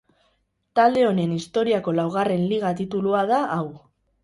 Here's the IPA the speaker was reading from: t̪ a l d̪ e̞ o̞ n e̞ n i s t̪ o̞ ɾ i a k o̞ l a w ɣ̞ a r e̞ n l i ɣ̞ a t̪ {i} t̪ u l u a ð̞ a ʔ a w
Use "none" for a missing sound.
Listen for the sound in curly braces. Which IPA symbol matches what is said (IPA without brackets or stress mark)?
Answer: i